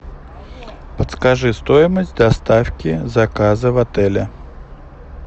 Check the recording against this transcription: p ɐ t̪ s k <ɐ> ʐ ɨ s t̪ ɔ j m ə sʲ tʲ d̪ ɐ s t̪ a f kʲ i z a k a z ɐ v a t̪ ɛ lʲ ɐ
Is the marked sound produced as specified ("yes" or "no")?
no